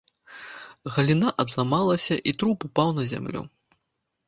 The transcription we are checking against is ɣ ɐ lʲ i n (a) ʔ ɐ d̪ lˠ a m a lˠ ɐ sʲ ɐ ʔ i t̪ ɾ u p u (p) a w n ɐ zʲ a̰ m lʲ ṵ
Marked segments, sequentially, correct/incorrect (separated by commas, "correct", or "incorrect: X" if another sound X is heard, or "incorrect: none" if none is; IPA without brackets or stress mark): correct, correct